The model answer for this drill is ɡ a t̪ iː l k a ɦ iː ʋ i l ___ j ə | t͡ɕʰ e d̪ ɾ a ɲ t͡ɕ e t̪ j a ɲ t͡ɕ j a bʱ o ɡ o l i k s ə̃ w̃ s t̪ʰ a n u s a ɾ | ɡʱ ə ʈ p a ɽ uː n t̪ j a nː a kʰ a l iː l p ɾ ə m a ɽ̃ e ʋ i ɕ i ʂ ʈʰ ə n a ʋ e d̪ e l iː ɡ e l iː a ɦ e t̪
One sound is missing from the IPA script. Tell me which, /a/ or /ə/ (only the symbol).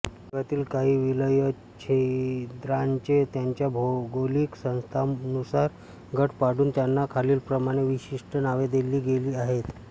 ə